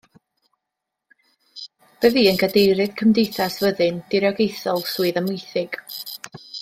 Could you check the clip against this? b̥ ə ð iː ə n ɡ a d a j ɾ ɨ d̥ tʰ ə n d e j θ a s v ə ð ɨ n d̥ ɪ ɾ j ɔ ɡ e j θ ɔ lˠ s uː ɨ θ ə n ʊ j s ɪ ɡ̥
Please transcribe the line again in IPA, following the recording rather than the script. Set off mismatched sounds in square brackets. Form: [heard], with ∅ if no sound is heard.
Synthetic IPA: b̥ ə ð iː ə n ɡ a d [e] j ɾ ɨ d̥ [kʰ] ə [m] d e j θ a s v ə ð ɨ n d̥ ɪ ɾ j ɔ ɡ e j θ ɔ lˠ s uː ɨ [ð] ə [m] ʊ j [θ] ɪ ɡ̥